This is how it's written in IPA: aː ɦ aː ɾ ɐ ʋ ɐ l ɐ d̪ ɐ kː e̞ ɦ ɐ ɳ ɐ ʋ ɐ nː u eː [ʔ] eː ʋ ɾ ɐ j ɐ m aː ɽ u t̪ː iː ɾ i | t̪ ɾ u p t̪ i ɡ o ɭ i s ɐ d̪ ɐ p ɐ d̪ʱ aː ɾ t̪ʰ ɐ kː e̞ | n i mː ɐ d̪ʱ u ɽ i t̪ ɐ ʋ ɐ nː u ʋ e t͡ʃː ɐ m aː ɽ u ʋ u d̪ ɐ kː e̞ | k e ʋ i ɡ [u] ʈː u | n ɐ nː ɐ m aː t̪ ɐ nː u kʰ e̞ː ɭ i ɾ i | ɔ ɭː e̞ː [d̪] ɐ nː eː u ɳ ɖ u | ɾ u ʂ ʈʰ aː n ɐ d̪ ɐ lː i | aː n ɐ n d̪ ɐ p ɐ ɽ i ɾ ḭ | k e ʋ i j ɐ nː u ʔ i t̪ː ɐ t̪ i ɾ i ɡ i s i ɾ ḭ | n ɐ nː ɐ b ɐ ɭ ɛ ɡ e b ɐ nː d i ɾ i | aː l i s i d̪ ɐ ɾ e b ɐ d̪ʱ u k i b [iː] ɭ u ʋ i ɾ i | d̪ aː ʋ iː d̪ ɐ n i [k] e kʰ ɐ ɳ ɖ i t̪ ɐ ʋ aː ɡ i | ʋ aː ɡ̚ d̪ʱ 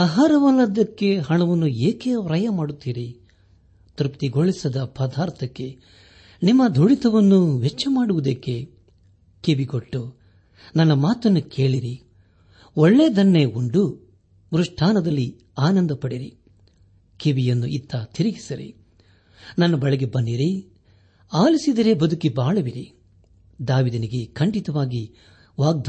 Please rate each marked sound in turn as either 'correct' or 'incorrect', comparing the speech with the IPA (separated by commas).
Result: incorrect, incorrect, correct, incorrect, incorrect